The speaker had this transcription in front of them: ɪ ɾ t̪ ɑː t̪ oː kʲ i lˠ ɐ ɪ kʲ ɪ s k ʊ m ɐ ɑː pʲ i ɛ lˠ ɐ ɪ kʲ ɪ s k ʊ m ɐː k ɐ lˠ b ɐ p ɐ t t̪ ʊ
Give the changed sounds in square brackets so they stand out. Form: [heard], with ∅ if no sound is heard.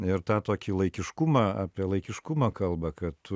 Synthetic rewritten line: ɪ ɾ t̪ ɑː t̪ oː kʲ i lˠ ɐ ɪ kʲ ɪ [ʃ] k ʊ m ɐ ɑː pʲ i ɛ lˠ ɐ ɪ kʲ ɪ [ʃ] k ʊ m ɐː k ɐ lˠ b ɐ [k] ɐ t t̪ ʊ